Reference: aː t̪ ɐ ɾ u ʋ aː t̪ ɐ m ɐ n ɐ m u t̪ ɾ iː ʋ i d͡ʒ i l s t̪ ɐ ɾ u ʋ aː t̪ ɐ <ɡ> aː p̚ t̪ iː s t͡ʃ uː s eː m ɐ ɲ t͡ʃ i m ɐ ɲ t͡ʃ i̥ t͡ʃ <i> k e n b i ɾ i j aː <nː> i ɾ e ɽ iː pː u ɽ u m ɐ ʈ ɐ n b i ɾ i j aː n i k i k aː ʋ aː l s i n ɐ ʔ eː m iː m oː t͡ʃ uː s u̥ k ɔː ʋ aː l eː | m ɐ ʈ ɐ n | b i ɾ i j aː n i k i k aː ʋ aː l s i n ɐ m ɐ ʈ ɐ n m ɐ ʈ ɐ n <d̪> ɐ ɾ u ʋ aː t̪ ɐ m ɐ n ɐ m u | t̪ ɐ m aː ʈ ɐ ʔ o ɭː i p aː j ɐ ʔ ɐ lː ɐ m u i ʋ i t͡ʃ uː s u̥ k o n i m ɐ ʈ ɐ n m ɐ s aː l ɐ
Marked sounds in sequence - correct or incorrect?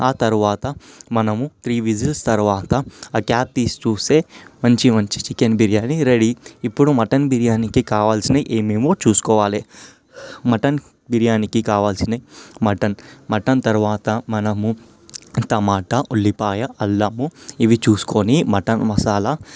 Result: incorrect: k, correct, incorrect: n, incorrect: t̪

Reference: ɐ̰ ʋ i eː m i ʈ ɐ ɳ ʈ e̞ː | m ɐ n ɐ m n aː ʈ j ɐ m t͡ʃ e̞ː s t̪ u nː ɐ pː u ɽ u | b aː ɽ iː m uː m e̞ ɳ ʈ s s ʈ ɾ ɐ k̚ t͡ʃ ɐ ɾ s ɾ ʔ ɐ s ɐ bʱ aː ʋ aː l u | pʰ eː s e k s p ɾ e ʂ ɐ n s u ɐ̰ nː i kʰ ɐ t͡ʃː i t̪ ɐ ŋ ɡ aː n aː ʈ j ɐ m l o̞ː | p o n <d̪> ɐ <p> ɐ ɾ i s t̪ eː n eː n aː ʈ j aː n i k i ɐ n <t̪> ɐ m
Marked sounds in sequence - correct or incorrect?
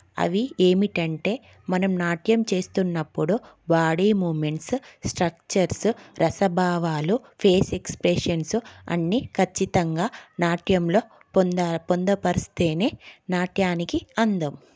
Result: correct, correct, incorrect: d̪

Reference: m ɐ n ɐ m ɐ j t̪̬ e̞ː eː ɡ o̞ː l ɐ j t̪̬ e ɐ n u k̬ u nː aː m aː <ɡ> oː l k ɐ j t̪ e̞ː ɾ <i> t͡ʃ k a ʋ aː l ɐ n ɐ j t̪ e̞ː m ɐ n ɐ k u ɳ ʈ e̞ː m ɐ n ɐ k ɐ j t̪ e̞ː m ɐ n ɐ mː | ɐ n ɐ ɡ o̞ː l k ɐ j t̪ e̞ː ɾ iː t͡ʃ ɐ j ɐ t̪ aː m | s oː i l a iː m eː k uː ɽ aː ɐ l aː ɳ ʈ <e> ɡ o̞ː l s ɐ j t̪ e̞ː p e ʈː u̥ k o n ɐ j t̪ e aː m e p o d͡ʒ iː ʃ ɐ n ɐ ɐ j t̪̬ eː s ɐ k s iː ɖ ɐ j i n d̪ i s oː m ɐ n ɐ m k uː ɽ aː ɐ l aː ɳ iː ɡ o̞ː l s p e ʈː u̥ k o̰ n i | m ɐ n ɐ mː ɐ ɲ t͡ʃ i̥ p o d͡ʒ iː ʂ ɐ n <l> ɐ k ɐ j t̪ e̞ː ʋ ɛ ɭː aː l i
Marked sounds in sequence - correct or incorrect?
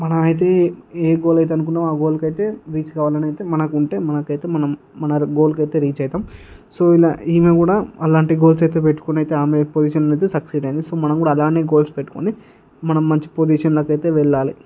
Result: correct, incorrect: iː, incorrect: i, correct

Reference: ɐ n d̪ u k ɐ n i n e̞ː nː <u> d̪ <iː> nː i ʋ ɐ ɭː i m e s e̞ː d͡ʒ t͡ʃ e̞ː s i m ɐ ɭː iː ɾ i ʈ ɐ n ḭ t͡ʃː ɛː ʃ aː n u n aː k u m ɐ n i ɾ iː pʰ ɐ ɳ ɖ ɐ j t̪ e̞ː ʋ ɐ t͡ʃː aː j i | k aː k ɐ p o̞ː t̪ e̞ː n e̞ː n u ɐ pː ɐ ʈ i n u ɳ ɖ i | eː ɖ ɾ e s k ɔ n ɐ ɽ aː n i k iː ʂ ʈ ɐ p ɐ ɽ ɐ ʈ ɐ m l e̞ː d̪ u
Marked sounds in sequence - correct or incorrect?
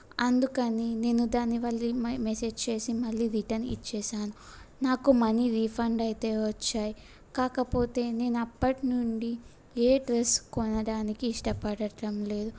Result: correct, incorrect: aː

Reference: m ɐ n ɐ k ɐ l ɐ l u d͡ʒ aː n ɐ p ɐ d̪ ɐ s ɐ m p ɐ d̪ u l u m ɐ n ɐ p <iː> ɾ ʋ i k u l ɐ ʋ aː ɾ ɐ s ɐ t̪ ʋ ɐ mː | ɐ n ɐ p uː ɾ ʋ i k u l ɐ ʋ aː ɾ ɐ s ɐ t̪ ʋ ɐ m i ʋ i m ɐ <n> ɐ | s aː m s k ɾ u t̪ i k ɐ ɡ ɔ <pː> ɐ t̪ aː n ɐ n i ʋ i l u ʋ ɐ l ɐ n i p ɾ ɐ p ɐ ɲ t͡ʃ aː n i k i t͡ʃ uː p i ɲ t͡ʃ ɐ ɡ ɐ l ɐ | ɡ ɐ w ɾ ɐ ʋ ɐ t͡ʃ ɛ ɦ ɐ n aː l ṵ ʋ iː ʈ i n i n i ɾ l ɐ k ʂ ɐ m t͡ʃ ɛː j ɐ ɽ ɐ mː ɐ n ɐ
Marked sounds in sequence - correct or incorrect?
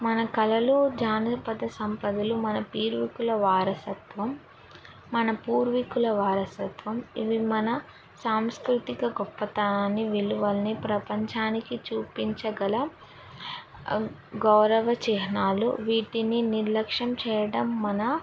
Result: correct, correct, correct

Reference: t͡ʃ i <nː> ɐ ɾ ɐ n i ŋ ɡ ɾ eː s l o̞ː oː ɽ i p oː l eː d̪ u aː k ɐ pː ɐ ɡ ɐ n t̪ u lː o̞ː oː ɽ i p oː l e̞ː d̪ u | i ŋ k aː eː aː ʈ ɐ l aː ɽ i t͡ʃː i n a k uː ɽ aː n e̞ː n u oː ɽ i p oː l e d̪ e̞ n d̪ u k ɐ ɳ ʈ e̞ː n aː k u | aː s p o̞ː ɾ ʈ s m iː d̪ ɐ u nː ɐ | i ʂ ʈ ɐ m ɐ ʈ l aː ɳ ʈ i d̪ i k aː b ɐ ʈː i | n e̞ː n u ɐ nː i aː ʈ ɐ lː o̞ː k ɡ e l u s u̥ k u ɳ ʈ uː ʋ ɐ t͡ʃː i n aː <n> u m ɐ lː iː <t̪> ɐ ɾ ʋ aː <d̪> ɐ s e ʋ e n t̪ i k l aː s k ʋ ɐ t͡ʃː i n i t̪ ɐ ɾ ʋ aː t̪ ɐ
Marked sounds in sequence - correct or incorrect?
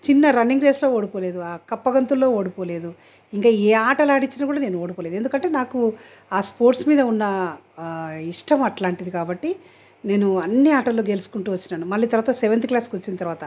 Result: correct, correct, correct, incorrect: t̪

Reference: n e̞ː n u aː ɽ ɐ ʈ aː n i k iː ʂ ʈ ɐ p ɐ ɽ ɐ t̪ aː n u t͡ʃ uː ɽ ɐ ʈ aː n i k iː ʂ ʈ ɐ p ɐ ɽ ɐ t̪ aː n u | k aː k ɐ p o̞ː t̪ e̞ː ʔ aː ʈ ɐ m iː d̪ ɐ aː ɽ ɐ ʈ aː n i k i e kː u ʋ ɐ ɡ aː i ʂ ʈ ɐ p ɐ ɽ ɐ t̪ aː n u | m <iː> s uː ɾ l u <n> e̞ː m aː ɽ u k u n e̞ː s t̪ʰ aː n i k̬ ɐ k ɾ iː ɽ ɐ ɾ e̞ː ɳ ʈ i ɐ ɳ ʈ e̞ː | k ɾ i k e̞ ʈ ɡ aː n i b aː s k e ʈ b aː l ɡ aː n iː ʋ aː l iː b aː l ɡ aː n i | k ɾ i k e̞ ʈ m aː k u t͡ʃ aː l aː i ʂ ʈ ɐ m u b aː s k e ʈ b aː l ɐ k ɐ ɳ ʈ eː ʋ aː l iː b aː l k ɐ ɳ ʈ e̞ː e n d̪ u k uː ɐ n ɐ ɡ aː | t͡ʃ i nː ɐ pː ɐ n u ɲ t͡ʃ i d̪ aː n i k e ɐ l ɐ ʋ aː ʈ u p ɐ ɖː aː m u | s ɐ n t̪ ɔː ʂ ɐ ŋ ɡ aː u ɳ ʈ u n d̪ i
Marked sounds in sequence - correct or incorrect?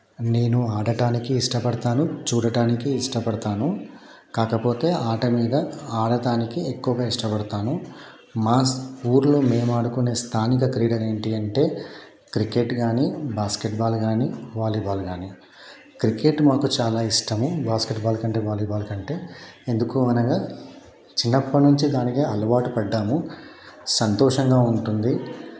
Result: incorrect: aː, incorrect: m

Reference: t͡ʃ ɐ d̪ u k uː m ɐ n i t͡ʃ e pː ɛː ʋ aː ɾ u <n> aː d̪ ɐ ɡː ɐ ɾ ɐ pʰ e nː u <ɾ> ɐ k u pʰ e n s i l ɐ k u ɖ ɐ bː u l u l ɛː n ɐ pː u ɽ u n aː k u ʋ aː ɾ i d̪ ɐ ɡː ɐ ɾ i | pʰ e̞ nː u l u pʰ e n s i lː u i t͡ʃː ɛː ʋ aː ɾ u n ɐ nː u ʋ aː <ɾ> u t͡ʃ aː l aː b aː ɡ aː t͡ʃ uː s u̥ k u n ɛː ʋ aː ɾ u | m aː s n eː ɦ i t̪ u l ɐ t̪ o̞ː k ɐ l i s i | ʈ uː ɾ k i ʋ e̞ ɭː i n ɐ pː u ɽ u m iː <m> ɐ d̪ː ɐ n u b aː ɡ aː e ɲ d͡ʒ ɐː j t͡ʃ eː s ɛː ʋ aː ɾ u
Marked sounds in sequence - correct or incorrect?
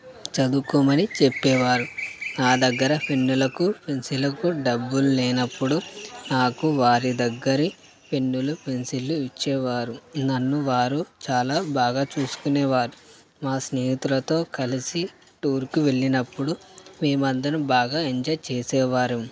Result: correct, incorrect: l, correct, correct

